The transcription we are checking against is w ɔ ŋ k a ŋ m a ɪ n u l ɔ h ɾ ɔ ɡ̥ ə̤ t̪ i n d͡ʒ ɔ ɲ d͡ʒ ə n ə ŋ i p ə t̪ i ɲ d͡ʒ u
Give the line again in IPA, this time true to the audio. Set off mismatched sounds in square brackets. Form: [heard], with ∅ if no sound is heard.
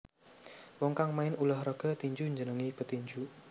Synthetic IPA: w ɔ ŋ k a ŋ m a ɪ n u l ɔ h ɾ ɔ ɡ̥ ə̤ t̪ i [ɲ] d͡ʒ [u] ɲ d͡ʒ ə n ə ŋ i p ə t̪ i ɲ d͡ʒ u

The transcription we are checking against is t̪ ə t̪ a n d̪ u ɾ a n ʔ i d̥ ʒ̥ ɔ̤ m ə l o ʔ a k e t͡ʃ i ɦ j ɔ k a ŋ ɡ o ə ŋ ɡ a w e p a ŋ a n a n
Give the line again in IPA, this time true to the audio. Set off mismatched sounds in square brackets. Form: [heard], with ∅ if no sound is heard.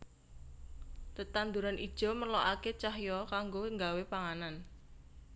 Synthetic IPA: t̪ ə t̪ a n d̪ u ɾ a n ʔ i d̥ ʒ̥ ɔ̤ m ə l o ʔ a k e t͡ʃ [a] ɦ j ɔ k a ŋ ɡ o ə ŋ ɡ a w e p a ŋ a n a n

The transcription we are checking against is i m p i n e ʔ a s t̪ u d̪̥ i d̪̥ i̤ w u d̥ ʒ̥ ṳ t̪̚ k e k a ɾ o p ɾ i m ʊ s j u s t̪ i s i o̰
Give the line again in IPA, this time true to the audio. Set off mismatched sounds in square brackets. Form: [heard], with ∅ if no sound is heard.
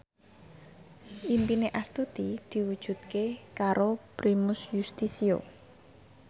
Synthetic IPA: i m p i n e ʔ a s t̪ u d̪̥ i d̪̥ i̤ w u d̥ ʒ̥ ṳ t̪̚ k e k a ɾ o p ɾ i m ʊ s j u s t̪ i s i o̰

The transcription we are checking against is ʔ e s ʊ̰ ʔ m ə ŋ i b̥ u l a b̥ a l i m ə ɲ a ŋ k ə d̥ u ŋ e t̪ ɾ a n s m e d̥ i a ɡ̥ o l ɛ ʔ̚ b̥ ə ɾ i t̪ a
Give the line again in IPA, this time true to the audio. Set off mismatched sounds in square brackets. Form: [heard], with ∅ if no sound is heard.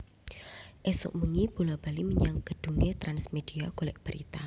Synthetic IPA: ʔ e s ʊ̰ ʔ m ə ŋ i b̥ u l a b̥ a l i m ə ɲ a ŋ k ə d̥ u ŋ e t̪ ɾ a n s m e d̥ i a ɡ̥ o l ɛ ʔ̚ b̥ ə ɾ i t̪ a

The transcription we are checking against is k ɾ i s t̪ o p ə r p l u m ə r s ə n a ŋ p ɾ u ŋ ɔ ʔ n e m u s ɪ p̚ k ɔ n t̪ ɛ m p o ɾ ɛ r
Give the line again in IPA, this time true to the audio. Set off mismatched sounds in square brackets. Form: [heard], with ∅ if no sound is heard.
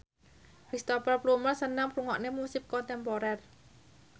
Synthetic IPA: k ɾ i s t̪ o p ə r p l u m ə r s ə n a ŋ p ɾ u ŋ ɔ ʔ n e m u s ɪ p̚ k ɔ n t̪ ɛ m p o ɾ ɛ r

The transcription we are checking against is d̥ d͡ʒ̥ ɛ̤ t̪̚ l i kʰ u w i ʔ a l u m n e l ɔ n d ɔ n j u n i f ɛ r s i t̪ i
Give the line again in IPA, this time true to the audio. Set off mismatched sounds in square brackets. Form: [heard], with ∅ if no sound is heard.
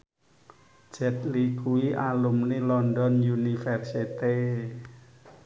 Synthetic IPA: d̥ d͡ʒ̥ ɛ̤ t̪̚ l i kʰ u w i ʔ a l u m n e l ɔ n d ɔ n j u n i f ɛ r s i t̪ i

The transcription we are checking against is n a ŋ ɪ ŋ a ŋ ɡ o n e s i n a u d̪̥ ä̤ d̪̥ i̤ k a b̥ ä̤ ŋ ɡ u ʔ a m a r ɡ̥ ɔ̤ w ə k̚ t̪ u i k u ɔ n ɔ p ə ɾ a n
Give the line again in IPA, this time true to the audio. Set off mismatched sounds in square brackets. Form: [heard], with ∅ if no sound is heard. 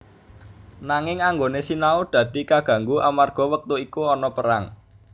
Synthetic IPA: n a ŋ ɪ ŋ a ŋ ɡ o n e s i n a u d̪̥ ä̤ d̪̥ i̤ k a [ɡ̥] ä̤ ŋ ɡ u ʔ a m a r ɡ̥ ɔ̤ w ə k̚ t̪ u i k u ɔ n ɔ p ə ɾ a [ŋ]

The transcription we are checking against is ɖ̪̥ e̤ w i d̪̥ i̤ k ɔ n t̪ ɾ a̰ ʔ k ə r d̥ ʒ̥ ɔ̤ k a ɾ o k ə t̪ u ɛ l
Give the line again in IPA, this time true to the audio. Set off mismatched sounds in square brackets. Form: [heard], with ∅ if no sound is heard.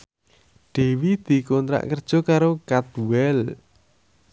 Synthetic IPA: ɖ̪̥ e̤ w i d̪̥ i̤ k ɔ n t̪ ɾ a̰ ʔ k ə r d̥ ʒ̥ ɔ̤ k a ɾ o k [a] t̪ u ɛ l

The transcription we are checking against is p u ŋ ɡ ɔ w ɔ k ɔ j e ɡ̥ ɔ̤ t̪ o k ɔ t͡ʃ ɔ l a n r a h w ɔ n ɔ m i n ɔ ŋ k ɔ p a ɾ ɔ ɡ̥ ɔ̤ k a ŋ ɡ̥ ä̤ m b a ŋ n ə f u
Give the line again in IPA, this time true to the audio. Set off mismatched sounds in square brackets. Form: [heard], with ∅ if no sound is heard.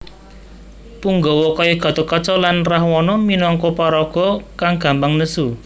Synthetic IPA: p u ŋ ɡ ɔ w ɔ k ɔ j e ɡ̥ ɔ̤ t̪ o k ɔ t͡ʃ ɔ l a n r a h w ɔ n ɔ m i n ɔ ŋ k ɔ p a ɾ ɔ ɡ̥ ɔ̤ k a ŋ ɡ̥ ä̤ m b a ŋ n ə [s] u

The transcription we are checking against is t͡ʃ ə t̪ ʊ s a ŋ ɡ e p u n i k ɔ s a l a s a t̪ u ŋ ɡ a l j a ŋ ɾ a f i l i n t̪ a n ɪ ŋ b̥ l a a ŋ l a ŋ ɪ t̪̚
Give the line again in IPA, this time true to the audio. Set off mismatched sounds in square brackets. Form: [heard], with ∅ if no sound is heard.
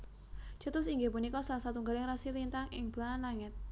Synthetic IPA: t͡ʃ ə t̪ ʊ s [i] ŋ ɡ e p u n i k ɔ s a l a s a t̪ u ŋ ɡ a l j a ŋ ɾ a [s] i l i n t̪ a [ŋ] ɪ ŋ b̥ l a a [n] l a ŋ ɪ t̪̚

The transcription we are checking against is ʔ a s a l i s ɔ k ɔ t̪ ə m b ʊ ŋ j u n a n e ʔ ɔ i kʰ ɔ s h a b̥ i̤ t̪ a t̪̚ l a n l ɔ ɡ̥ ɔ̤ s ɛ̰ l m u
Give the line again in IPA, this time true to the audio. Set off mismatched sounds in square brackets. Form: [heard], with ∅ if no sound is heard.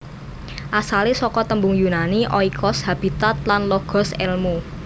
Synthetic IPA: ʔ a s a l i s ɔ k ɔ t̪ ə m b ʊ ŋ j u n a n [i] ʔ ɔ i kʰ ɔ s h a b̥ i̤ t̪ a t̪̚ l a n l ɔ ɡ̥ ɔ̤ s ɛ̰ l m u

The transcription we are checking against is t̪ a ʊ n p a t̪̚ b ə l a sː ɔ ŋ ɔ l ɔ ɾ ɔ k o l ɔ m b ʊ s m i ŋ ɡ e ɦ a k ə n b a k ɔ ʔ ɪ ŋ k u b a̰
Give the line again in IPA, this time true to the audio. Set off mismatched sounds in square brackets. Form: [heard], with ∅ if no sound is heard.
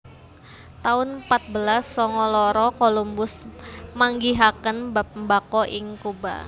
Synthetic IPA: t̪ a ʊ n p a t̪̚ b ə l a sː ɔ ŋ ɔ l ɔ ɾ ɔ k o l [u] m b ʊ s m [a] ŋ ɡ [i] ɦ a k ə n b a k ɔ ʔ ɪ ŋ k u b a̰

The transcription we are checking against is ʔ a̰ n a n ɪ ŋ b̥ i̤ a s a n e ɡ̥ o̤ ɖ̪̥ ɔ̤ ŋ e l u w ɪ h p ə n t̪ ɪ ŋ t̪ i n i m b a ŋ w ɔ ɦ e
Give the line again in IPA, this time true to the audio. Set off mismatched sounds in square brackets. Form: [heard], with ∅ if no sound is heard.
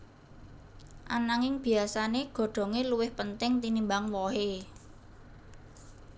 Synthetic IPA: ʔ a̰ n a [ŋ] ɪ ŋ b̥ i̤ a s a n e ɡ̥ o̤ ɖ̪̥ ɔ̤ ŋ e l u w ɪ h p ə n t̪ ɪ ŋ t̪ i n i m b a ŋ w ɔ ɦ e

